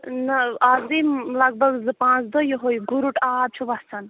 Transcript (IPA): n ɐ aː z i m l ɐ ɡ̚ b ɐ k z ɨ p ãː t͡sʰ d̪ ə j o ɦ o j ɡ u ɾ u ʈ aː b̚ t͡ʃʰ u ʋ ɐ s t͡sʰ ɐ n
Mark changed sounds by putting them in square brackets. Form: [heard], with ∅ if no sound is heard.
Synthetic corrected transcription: n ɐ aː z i m l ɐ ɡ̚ b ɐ [ɡ] z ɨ p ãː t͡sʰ d̪ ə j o ɦ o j ɡ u ɾ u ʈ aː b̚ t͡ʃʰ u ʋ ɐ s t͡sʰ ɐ n